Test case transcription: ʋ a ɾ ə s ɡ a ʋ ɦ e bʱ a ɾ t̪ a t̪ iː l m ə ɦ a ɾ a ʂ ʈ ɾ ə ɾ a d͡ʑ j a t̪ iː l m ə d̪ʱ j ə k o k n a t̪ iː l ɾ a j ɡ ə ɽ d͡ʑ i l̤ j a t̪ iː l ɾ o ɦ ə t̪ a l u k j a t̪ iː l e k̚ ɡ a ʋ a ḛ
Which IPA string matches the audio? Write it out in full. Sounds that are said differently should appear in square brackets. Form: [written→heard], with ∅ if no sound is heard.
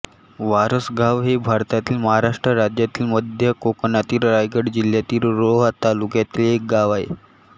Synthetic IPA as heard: ʋ a ɾ ə s ɡ a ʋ ɦ e bʱ a ɾ t̪ a t̪ iː l m ə ɦ a ɾ a ʂ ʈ ɾ ə ɾ a d͡ʑ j a t̪ iː l m ə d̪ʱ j ə k o k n a t̪ iː l ɾ a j ɡ ə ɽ d͡ʑ i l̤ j a t̪ iː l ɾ o ɦ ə t̪ a l u k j a t̪ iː l e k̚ ɡ a ʋ a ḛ